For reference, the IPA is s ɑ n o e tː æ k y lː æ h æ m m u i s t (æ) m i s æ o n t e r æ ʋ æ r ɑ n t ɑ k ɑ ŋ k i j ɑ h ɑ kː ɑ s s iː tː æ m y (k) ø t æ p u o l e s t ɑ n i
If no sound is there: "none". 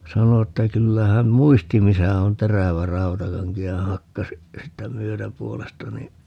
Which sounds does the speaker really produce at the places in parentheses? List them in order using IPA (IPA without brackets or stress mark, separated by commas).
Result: i, none